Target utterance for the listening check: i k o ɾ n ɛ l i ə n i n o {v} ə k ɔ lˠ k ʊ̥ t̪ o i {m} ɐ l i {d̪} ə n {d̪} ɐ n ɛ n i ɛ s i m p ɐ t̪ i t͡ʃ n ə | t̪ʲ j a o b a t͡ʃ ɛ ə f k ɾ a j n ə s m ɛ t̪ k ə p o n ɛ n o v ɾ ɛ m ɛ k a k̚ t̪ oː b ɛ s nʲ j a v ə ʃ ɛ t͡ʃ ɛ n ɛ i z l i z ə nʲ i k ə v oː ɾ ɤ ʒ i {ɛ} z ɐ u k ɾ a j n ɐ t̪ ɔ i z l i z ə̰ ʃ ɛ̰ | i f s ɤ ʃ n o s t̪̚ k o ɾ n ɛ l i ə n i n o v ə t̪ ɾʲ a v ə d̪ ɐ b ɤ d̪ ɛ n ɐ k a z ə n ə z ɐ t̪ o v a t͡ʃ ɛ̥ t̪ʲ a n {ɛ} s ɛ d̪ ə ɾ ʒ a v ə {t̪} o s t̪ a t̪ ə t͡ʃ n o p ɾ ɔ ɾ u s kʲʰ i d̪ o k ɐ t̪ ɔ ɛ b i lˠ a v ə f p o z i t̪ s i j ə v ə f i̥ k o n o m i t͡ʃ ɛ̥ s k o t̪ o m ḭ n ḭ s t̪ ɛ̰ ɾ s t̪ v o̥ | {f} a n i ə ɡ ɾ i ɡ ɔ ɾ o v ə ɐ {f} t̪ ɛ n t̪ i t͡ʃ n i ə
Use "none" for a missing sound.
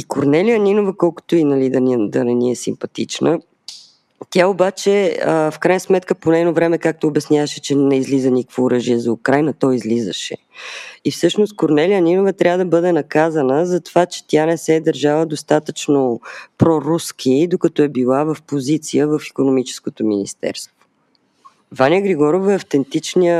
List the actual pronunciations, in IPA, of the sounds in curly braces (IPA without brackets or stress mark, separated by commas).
v, n, d̪, d̪, ɛ, ɛ, d̪, v, f